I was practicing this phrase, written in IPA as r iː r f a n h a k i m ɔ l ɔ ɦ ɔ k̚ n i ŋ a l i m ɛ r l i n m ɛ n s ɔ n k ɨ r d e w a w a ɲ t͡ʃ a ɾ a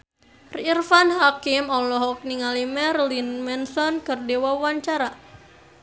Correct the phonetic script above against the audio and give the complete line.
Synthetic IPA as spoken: r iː r f a n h a k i m ɔ l ɔ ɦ ɔ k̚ n i ŋ a l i m ɛ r l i n m ɛ n s ɔ n k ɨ r d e w a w a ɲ t͡ʃ a ɾ a